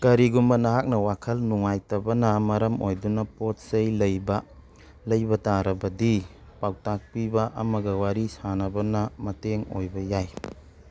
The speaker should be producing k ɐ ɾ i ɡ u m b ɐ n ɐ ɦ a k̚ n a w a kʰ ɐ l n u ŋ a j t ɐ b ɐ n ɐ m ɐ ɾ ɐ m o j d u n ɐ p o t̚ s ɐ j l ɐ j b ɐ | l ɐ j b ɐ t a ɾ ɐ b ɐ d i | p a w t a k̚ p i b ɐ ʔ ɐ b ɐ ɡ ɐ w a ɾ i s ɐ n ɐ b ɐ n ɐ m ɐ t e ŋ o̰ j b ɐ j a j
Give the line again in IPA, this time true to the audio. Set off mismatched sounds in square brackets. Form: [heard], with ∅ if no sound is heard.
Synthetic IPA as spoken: k ɐ ɾ i ɡ u m b ɐ n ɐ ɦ a k̚ n [ɐ] w a kʰ ɐ l n u ŋ a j t ɐ b ɐ n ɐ m ɐ ɾ ɐ m o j d u n ɐ p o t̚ s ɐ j l ɐ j b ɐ | l ɐ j b ɐ t a ɾ ɐ b ɐ d i | p a w t a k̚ p i b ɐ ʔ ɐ [m] ɐ ɡ ɐ w a ɾ i s [a] n ɐ b ɐ n ɐ m ɐ t e ŋ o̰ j b ɐ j a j

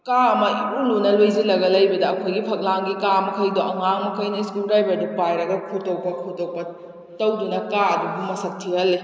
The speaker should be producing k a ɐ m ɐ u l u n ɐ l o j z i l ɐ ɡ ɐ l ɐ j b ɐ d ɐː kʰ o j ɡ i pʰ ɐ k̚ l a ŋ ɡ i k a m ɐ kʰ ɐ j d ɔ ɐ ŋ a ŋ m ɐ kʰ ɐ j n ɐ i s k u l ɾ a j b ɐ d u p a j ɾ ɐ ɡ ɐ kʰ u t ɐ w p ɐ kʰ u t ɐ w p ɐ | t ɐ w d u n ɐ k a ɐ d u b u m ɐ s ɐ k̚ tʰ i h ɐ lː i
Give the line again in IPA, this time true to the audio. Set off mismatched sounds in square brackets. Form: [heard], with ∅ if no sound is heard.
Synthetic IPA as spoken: k a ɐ m ɐ u l u n ɐ l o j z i l ɐ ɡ ɐ l ɐ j b ɐ d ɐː kʰ o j ɡ i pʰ ɐ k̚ l a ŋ ɡ i k a m ɐ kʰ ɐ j d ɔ ɐ ŋ a ŋ m ɐ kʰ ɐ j n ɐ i s k u l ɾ a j b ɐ d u p a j ɾ ɐ ɡ ɐ kʰ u t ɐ w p ɐ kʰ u t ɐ w p ɐ | t ɐ w d u n ɐ k a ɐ d u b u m ɐ s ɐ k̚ tʰ i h ɐ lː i

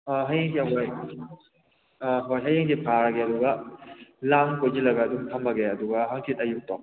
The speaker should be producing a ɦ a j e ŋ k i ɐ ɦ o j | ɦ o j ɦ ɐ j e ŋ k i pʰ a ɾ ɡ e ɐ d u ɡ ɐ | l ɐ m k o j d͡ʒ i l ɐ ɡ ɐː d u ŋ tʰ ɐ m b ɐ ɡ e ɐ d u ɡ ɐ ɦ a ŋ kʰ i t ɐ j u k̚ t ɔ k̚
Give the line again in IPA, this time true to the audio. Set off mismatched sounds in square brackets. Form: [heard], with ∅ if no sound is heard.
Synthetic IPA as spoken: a ɦ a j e ŋ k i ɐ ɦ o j | ɦ o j ɦ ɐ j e ŋ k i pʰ a ɾ ɡ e ɐ d u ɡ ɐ | l [a] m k o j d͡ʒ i l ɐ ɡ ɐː d u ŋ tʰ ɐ m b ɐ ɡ e ɐ d u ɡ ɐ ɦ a ŋ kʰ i t ɐ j u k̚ t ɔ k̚

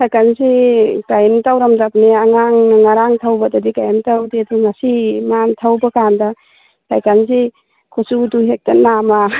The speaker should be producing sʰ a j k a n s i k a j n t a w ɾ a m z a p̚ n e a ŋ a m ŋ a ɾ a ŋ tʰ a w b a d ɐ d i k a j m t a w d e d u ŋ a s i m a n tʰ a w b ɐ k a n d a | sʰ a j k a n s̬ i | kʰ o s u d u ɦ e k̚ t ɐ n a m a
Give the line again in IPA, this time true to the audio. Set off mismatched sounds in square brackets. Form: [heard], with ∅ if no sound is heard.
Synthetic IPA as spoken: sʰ a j k a n s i k a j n t a w ɾ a m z a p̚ n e a ŋ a [ŋ] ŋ a ɾ a ŋ tʰ a w b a d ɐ d i k a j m t a w d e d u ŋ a s i m a n tʰ a w b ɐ k a n d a | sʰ a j k a n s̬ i | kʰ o s u d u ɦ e k̚ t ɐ n a m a

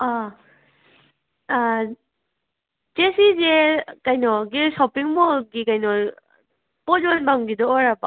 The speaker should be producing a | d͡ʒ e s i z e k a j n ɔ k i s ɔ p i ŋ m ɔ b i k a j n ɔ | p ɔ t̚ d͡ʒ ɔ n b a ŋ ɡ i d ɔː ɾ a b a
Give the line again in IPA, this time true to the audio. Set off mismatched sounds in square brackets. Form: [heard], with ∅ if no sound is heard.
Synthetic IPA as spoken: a | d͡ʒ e s i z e k a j n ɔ [ɡ] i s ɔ p i ŋ m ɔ [ɡ] i k a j n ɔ | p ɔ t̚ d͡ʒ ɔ n b a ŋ ɡ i d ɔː ɾ a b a

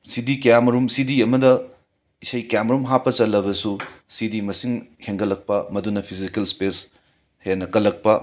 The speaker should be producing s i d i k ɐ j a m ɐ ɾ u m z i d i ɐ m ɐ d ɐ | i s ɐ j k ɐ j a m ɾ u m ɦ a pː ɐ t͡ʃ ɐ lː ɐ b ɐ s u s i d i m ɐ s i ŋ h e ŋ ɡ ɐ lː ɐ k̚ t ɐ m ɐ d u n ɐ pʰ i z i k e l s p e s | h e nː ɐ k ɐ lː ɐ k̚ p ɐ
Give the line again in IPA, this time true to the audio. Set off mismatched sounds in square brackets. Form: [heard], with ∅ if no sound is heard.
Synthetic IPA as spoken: s i d i k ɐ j a m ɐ ɾ u m [s] i d i ɐ m ɐ d ɐ | i s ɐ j k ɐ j a m ɾ u m ɦ a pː ɐ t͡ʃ ɐ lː ɐ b ɐ s u s i d i m ɐ s i ŋ h e ŋ ɡ ɐ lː ɐ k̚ [p] ɐ m ɐ d u n ɐ pʰ i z i k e l s p e s | h e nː ɐ k ɐ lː ɐ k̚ p ɐ

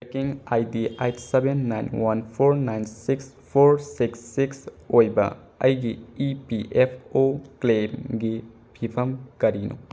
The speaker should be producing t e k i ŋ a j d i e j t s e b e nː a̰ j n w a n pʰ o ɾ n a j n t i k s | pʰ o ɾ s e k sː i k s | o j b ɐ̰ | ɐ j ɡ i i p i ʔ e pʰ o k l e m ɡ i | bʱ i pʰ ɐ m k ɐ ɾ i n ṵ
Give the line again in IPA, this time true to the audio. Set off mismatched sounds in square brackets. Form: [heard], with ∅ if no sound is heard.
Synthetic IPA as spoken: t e k i ŋ a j d i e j t s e b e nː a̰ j n w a n pʰ o ɾ n a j n [s] i k s | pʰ o ɾ s [i] k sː i k s | o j b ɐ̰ | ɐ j ɡ i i p i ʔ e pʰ o k l e m ɡ i | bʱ i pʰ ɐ m k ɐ ɾ i n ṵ

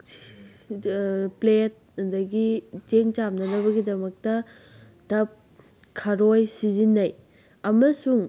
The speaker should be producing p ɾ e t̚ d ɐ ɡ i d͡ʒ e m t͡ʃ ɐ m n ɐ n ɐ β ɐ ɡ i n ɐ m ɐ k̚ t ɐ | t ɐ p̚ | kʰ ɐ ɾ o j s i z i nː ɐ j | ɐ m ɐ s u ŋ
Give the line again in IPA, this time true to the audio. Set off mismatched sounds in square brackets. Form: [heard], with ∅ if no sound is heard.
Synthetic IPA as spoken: p [l] e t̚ d ɐ ɡ i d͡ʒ e [ŋ] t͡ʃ [a] m n ɐ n ɐ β ɐ ɡ i [d] ɐ m ɐ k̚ t ɐ | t ɐ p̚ | kʰ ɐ ɾ o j s i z i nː ɐ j | ɐ m ɐ s u ŋ

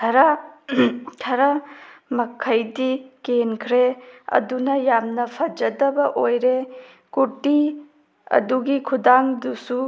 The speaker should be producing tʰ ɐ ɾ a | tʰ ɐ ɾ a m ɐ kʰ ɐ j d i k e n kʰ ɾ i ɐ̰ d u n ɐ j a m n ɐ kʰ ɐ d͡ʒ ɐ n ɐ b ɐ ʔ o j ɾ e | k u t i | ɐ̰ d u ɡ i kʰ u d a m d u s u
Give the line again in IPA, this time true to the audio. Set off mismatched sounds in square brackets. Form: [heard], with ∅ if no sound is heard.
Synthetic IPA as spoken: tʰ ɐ ɾ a | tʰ ɐ ɾ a m ɐ kʰ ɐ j d i k e n kʰ ɾ [e] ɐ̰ d u n ɐ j a m n ɐ [pʰ] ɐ d͡ʒ ɐ [d] ɐ b ɐ ʔ o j ɾ e | k u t i | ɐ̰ d u ɡ i kʰ u d a [ŋ] d u s u

